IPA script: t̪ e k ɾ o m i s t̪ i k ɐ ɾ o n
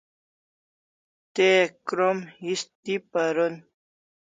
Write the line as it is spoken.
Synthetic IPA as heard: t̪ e k ɾ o m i s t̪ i p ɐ ɾ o n

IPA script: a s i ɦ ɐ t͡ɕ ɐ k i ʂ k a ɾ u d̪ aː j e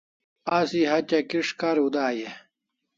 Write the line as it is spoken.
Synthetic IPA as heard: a s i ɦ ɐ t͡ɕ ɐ k i ʂ k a ɾ u d̪ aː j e

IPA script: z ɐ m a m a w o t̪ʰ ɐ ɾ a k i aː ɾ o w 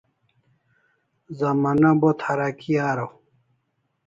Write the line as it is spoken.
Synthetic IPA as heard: z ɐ m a n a b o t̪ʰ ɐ ɾ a k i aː ɾ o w

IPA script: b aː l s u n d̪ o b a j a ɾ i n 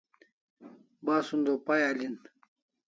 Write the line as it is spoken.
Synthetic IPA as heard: b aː s u n d̪ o p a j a l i n

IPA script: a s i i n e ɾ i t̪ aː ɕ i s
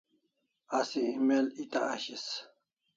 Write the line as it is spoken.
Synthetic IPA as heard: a s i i m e l i t̪ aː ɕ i s

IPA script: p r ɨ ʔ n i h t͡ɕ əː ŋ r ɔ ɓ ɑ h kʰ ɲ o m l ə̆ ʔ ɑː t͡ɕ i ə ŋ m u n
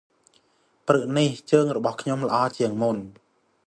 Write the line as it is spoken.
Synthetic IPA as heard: p r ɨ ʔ n i h t͡ɕ əː ŋ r ɔ ɓ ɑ h kʰ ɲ o m l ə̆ ʔ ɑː t͡ɕ i ə ŋ m u n

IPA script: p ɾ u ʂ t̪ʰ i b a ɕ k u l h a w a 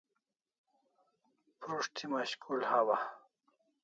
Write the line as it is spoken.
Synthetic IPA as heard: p ɾ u ʂ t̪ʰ i m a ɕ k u l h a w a

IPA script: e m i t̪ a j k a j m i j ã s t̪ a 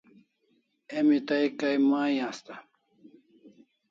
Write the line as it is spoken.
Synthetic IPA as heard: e m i t̪ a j k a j m a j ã s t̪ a

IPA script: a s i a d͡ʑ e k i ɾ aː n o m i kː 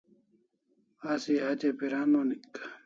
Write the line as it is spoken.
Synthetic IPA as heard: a s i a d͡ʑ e p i ɾ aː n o n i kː

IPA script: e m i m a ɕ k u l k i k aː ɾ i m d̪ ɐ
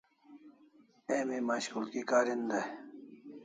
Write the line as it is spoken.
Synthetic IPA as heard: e m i m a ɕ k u l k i k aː ɾ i n d̪ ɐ

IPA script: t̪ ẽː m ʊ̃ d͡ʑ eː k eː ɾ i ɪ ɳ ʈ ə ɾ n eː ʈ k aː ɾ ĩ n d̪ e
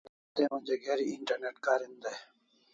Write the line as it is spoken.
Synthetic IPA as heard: t̪ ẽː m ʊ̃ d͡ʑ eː ɡ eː ɾ i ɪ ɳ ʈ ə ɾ n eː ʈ k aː ɾ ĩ n d̪ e

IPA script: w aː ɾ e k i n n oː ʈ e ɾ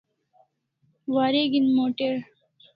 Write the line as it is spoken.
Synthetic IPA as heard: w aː ɾ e ɡ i n m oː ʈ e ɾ

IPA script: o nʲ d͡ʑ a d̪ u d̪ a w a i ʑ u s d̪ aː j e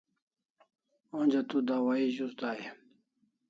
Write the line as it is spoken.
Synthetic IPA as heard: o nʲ d͡ʑ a t̪ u d̪ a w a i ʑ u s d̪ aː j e

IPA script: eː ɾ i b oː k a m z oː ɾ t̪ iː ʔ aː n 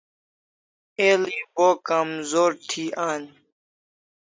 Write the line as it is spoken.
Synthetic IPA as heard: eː l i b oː k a m z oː ɾ t̪ʰ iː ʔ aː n

